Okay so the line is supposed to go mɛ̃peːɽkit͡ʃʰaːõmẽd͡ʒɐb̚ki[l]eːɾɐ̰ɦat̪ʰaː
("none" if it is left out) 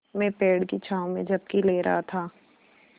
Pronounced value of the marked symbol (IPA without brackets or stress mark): l